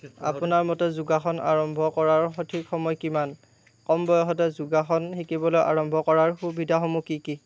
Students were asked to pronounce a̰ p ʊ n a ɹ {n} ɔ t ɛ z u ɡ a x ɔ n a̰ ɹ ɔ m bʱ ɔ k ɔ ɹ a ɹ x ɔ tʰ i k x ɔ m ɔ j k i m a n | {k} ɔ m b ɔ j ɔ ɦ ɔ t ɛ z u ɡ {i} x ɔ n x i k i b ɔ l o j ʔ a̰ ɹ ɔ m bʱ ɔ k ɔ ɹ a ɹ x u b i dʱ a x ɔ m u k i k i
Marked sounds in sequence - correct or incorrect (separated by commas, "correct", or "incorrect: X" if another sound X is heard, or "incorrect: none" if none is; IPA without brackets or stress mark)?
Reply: incorrect: m, correct, incorrect: a